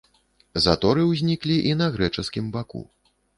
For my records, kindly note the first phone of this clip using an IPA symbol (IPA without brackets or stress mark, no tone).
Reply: z